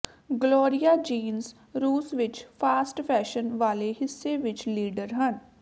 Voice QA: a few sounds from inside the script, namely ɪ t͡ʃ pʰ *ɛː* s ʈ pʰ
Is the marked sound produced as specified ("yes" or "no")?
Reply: no